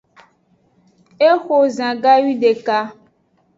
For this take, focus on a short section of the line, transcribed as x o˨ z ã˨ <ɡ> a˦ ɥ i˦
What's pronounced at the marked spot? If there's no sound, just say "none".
ɡ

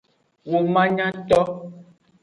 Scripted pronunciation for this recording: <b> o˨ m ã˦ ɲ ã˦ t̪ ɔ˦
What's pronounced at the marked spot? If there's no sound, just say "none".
w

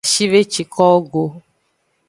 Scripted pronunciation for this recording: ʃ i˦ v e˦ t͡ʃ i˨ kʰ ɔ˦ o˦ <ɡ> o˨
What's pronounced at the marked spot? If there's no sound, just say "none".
ɡ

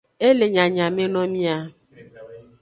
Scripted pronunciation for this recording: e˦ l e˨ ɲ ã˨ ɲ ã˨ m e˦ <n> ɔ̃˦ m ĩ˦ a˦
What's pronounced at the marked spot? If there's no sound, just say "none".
n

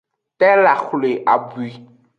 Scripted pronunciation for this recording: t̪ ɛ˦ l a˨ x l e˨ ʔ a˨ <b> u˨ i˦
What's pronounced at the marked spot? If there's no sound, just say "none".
b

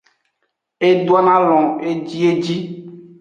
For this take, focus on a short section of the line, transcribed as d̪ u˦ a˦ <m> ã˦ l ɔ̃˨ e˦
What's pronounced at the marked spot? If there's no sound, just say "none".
n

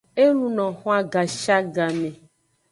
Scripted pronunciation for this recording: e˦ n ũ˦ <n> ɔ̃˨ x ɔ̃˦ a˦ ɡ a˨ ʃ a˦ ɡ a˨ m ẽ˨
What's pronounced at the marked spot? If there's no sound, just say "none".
n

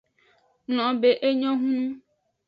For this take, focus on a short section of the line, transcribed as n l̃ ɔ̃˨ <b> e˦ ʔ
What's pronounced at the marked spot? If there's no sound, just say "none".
b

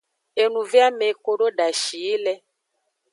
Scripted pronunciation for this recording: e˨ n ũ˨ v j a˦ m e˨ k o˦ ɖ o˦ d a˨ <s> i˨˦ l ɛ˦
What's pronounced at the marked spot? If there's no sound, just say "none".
ʃ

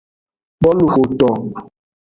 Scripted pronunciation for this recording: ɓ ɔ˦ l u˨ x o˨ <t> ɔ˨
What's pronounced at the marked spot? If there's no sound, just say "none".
t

